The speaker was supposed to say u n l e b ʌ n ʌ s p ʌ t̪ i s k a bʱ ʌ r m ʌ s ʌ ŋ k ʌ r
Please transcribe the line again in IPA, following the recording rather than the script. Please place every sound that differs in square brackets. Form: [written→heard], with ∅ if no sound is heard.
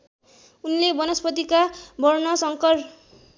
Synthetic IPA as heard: u n l e b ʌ n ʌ s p ʌ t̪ i [s→∅] k a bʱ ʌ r [m→n] ʌ s ʌ ŋ k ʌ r

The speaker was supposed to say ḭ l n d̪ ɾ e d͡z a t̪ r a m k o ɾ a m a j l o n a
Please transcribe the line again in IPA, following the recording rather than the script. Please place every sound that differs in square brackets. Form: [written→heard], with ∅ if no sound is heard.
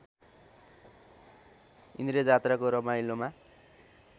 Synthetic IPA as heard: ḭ [l→∅] n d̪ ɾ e d͡z a t̪ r a [m→∅] k o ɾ [a→ʌ] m a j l o [n→m] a

